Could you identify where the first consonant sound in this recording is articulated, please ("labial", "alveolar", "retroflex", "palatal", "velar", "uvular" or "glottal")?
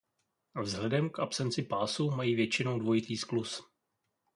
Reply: labial